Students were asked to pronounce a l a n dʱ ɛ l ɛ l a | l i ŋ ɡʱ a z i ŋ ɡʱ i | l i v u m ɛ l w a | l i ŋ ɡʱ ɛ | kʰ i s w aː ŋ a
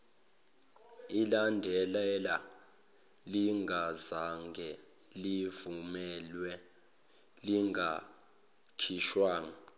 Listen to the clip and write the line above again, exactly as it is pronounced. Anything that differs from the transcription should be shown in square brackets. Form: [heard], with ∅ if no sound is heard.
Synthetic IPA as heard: [i] l a n dʱ ɛ l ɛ l a | l i ŋ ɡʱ a z [a] ŋ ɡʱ [ɛ] | l i v u m ɛ l w [ɛ] | l i ŋ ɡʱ [a] | kʰ i [ʃ] w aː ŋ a